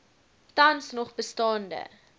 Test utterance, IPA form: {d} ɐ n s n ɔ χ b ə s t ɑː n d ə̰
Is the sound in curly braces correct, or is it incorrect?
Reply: incorrect